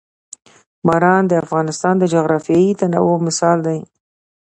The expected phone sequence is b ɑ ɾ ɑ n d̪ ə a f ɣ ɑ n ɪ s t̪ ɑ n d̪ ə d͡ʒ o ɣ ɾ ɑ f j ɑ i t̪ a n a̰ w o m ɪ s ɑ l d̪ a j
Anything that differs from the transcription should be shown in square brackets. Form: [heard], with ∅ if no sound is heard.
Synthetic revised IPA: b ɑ ɾ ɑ n d̪ ə a f ɣ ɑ n ɪ s t̪ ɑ n d̪ ə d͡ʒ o ɣ ɾ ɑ f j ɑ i t̪ a n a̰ w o m ɪ s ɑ l d̪ a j